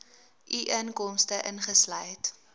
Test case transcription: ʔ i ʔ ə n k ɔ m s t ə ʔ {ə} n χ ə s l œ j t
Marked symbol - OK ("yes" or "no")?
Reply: yes